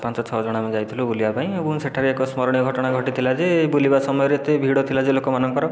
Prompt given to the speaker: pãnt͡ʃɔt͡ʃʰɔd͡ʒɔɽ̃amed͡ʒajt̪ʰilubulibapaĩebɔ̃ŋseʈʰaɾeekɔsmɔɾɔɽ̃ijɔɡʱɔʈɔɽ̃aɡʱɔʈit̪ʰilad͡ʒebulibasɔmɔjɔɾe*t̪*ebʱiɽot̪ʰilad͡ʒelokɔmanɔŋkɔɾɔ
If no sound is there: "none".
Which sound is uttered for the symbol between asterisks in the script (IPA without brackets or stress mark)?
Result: t̪